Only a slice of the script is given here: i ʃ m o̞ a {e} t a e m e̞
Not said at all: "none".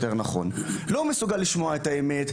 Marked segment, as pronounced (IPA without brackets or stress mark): e